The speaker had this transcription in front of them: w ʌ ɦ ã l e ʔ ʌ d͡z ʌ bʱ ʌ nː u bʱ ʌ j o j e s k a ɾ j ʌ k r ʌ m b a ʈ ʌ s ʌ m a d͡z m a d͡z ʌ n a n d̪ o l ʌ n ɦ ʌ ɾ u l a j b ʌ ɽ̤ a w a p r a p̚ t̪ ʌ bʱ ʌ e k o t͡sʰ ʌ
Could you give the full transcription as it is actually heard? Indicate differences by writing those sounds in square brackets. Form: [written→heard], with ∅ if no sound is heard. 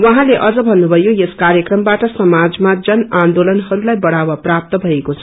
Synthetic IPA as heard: w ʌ ɦ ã l e ʔ ʌ d͡z ʌ bʱ ʌ nː u bʱ ʌ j o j e s k a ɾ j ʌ k r ʌ m b a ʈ ʌ s ʌ m a d͡z m a d͡z ʌ n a n d̪ o l ʌ n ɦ ʌ ɾ u l a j b ʌ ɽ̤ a w a p r a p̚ t̪ ʌ bʱ ʌ e k o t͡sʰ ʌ